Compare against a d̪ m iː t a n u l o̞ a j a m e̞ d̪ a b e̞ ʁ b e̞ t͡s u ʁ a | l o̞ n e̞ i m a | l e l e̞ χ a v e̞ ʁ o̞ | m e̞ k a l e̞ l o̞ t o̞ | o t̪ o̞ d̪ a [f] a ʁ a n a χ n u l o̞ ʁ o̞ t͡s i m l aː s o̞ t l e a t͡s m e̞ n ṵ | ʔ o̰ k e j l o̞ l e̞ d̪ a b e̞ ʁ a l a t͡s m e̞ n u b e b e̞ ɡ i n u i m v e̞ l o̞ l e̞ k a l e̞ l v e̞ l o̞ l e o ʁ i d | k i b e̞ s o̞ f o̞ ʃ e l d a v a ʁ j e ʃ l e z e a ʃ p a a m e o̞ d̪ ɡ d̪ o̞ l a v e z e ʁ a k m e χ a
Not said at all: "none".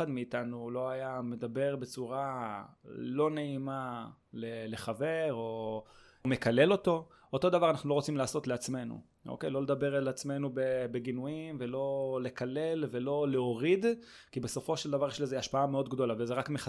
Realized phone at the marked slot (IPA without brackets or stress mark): v